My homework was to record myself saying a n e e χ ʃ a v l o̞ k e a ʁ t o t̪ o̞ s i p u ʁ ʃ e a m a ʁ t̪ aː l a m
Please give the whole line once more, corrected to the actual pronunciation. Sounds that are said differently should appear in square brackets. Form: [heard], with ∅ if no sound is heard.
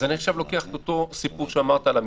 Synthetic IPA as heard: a n [i] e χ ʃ a v l o̞ k e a [χ] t o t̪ o̞ s i p u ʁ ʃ e a m a ʁ t̪ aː l a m